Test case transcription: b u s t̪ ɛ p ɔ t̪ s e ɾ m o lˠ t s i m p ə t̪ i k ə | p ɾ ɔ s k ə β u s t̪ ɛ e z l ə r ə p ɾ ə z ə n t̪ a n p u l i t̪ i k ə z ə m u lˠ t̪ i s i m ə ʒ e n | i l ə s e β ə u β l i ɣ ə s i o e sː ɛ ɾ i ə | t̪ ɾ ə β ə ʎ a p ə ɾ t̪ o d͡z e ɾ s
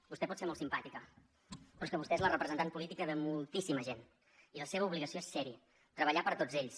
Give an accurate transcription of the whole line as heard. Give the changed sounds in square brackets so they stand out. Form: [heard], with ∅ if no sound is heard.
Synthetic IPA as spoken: b u s t̪ ɛ p ɔ t̪ s e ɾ m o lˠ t s i m p [a] t̪ i k ə | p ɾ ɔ s k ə β u s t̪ ɛ e z l ə r ə p ɾ ə z ə n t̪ a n p u l i t̪ i k ə [ð] ə m u lˠ t̪ i s i m ə ʒ e n | i l ə s e β ə u β l i ɣ ə s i o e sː ɛ ɾ i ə | t̪ ɾ ə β ə ʎ a p ə ɾ t̪ o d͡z e [ʎ] s

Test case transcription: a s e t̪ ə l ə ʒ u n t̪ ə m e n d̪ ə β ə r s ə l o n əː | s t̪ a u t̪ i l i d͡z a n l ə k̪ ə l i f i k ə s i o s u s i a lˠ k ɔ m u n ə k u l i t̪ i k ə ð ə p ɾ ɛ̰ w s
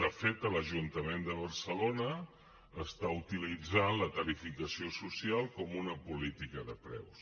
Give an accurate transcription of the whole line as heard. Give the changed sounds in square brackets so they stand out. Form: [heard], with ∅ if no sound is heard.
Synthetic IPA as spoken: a [f] e t̪ ə l ə ʒ u n t̪ ə m e n d̪ ə β ə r s ə l o n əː | s t̪ a u t̪ i l i d͡z a n l ə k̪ ə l i f i k ə s i o s u s i a lˠ k ɔ m u n ə [p] u l i t̪ i k ə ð ə p ɾ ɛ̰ w s

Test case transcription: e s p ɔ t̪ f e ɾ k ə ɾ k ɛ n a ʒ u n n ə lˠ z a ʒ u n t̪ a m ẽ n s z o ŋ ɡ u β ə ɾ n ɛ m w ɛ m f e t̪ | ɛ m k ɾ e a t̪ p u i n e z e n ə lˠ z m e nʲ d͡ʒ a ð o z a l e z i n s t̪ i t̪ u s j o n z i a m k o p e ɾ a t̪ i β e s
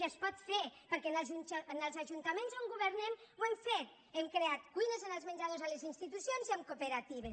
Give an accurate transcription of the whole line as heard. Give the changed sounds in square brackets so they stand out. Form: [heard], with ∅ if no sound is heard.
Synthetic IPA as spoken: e s p ɔ t̪ f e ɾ [p] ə ɾ k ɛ n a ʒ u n n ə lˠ z a ʒ u n t̪ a m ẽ n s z o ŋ ɡ u β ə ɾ n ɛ m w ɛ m f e t̪ | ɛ m k ɾ e a t̪ [k] u [j] n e z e n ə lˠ z m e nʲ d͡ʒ a ð o z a l e z i n s t̪ i t̪ u s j o n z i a m k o p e ɾ a t̪ i β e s

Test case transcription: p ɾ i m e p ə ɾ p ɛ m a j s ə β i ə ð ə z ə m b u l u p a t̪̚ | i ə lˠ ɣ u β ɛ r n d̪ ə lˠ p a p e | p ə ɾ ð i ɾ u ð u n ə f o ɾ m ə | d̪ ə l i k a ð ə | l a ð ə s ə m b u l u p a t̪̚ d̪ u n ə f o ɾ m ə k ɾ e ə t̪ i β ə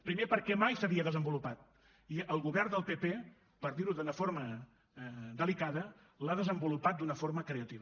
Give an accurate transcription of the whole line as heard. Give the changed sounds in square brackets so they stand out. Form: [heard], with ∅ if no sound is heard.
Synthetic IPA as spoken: p ɾ i m e p ə ɾ [k] ɛ m a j s ə β i ə ð ə z ə m b u l u p a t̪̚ | i ə lˠ ɣ u β ɛ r n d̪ ə lˠ p [e] p e | p ə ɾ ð i ɾ u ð u n ə f o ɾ m ə | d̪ ə l i k a ð ə | l a ð ə [z] ə m b u l u p a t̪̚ d̪ u n ə f o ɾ m ə k ɾ e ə t̪ i β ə

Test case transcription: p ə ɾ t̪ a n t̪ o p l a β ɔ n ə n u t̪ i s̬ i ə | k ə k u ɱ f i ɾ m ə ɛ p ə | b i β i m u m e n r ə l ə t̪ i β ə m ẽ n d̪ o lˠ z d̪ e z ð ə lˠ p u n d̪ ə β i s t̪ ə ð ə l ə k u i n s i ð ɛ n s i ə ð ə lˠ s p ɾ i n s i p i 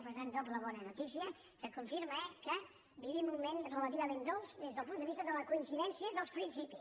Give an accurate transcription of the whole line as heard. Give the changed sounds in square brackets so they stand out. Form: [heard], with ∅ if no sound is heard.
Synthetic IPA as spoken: p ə ɾ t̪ a n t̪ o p l [ə] β ɔ n ə n u t̪ i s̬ i ə | k ə k u ɱ f i ɾ m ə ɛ [k] ə | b i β i m u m e n r ə l ə t̪ i β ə m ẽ n d̪ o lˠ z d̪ e z ð ə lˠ p u n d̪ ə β i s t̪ ə ð ə l ə k u i n s i ð ɛ n s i ə ð ə lˠ s p ɾ i n s i p i

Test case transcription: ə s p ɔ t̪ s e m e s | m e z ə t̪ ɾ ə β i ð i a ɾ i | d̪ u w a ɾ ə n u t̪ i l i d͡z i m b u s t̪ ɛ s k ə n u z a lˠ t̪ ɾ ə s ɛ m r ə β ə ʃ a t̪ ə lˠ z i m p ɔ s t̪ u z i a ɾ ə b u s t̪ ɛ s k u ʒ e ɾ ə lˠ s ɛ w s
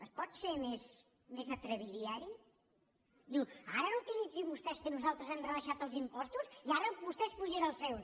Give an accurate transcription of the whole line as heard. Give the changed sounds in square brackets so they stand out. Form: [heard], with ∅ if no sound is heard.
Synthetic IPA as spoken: ə s p ɔ t̪ s e m e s | m e z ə t̪ ɾ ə β i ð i a ɾ i | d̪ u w a ɾ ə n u t̪ i l i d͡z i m b u s t̪ ɛ s k ə n u z a lˠ t̪ ɾ ə [z] ɛ m r ə β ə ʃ a t̪ ə lˠ z i m p ɔ s t̪ u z i a ɾ ə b u s t̪ ɛ s [p] u ʒ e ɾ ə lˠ s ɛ w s

